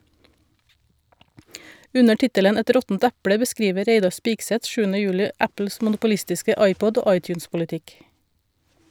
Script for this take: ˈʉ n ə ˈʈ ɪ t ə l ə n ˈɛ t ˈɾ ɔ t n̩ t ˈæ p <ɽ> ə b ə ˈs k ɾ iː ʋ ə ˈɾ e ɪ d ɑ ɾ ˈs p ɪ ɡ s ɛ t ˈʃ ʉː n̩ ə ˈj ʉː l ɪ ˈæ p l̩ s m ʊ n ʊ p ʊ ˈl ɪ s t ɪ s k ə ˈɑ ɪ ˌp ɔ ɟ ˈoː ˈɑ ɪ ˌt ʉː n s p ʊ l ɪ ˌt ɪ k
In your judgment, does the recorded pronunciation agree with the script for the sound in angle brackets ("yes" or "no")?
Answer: yes